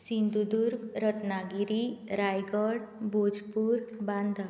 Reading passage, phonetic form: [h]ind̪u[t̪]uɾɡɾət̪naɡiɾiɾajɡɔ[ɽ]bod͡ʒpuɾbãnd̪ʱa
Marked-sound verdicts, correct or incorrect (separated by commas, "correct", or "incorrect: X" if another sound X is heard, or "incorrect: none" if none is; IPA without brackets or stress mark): incorrect: s, incorrect: d̪, correct